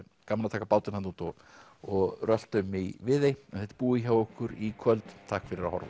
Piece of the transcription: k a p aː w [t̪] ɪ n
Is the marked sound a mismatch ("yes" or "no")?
no